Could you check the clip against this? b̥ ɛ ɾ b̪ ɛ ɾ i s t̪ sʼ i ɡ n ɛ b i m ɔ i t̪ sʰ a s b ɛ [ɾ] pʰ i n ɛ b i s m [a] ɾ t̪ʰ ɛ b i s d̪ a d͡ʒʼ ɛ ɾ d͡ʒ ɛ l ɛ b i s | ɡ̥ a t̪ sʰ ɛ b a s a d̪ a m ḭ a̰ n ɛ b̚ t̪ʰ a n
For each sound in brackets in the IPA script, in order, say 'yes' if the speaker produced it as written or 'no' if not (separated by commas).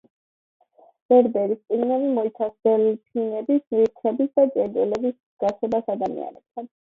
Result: no, no